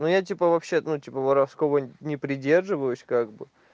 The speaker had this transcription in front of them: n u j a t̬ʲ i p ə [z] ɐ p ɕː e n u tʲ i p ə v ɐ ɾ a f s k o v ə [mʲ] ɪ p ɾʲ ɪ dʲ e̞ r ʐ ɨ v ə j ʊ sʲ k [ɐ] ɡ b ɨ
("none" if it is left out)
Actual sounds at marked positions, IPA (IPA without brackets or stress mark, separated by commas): v, nʲ, a